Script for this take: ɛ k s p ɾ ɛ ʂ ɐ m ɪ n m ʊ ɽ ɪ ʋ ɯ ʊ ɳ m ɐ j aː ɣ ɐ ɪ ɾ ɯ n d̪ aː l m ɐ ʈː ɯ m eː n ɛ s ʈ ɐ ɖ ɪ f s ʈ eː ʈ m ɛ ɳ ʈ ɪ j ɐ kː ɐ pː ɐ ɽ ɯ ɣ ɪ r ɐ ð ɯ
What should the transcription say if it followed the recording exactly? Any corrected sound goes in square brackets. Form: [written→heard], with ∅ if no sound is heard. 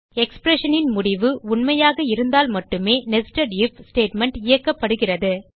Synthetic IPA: ɛ k s p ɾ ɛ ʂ ɐ [m→n] ɪ n m ʊ ɽ ɪ ʋ ɯ ʊ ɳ m ɐ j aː ɣ ɐ ɪ ɾ ɯ n d̪ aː l m ɐ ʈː ɯ m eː n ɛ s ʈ ɐ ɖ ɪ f s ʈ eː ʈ m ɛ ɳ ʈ ɪ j ɐ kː ɐ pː ɐ ɽ ɯ ɣ ɪ r ɐ ð ɯ